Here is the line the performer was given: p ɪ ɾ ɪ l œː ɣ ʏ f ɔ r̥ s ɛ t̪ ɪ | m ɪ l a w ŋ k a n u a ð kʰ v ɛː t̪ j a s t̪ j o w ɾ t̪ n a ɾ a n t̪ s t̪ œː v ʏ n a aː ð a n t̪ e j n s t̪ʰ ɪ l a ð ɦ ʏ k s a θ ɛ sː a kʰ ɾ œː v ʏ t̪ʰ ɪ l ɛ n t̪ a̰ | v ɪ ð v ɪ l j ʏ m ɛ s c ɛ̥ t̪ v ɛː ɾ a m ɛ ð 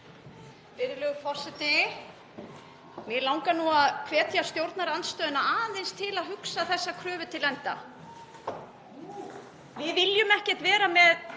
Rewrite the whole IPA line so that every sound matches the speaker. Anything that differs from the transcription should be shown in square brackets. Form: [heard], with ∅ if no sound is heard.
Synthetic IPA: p ɪ ɾ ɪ l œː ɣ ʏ f ɔ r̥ s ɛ t̪ ɪ | m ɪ l a w ŋ k a n u a ð kʰ v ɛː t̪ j a s t̪ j o w ɾ t̪ n a ɾ a n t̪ s t̪ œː [ð] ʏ n a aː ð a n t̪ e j n s t̪ʰ ɪ l a ð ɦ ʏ k s a θ ɛ sː a kʰ ɾ œː v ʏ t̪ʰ ɪ l ɛ n t̪ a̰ | v ɪ ð v ɪ l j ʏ m ɛ [h] c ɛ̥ t̪ v ɛː ɾ a m ɛ ð